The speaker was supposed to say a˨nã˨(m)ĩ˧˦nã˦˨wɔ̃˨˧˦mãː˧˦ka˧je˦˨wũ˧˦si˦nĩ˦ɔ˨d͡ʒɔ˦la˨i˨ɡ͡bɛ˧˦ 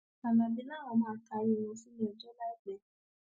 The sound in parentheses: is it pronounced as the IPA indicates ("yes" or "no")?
no